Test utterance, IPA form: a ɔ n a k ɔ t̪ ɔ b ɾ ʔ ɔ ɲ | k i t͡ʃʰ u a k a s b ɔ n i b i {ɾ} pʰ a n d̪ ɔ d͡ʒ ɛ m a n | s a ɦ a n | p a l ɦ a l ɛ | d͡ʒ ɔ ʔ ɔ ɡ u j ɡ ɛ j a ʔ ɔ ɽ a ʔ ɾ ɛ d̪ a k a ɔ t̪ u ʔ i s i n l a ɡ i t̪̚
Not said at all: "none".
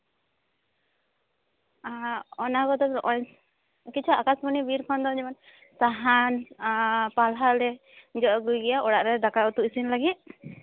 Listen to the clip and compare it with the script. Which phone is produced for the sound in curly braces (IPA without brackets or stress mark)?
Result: ɾ